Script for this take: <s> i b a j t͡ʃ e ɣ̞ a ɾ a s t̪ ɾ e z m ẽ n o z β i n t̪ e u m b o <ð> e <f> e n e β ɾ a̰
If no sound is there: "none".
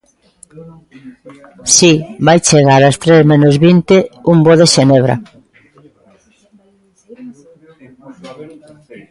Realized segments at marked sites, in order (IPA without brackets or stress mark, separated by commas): s, ð, ʃ